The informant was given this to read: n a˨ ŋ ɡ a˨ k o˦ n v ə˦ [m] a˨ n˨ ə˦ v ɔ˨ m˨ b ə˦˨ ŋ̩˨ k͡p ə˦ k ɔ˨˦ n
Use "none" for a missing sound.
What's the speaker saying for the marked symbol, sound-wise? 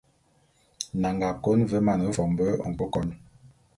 m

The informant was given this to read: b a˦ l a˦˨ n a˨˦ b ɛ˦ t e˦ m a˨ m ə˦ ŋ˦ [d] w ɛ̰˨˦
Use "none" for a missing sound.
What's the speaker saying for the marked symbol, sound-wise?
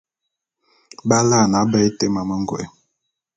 ɡ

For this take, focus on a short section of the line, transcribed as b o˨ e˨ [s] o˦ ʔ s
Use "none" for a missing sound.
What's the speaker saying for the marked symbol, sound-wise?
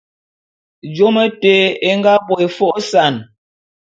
f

